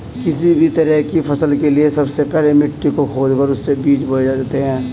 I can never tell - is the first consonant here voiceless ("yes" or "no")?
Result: yes